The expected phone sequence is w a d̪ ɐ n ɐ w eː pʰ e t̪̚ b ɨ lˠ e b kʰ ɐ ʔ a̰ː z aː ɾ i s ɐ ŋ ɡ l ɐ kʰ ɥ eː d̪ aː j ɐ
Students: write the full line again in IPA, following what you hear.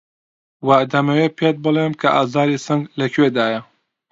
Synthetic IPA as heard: w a d̪ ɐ m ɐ w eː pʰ e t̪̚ b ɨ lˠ e m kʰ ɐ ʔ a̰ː z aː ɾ i s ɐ ŋ ɡ l ɐ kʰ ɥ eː d̪ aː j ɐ